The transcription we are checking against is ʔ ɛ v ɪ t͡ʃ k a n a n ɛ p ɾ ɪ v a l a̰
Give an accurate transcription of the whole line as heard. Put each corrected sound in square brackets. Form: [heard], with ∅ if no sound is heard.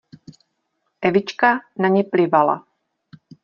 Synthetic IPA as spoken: ʔ ɛ v ɪ t͡ʃ k a n a [ɲ] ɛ p [l] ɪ v a l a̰